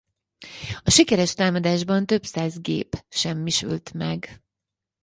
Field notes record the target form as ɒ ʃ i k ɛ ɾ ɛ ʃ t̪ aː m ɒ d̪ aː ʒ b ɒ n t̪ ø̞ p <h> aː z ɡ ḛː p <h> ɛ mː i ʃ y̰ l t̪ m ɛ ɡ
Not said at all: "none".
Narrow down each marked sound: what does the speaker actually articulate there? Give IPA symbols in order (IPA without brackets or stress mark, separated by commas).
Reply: s, ʃ